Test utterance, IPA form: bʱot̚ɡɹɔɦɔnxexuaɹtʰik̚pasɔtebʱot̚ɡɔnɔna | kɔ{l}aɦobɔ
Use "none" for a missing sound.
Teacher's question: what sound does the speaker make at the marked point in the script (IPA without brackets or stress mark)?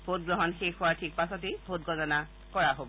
ɹ